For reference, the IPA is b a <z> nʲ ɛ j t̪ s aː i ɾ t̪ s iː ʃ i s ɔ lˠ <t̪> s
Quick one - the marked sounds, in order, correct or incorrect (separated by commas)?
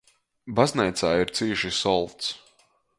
correct, correct